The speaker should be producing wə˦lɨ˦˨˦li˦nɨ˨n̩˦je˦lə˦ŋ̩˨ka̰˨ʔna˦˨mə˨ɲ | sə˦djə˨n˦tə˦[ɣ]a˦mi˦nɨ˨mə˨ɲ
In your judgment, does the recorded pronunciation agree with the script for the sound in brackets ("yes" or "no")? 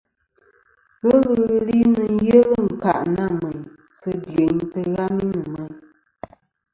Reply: yes